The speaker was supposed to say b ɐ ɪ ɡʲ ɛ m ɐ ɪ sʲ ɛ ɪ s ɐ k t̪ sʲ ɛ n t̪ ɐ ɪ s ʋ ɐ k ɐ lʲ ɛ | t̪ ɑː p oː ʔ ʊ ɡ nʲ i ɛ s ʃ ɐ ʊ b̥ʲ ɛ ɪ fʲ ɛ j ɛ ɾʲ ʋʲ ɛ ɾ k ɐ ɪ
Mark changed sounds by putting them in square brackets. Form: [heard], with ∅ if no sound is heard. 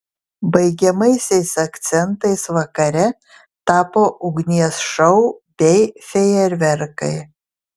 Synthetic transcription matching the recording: b ɐ ɪ ɡʲ ɛ m ɐ ɪ sʲ ɛ ɪ s ɐ k t̪ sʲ ɛ n t̪ ɐ ɪ s ʋ ɐ k ɐ [ɾʲ] ɛ | t̪ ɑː p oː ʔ ʊ ɡ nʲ i ɛ s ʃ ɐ ʊ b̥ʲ ɛ ɪ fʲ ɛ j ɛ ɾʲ ʋʲ ɛ ɾ k ɐ ɪ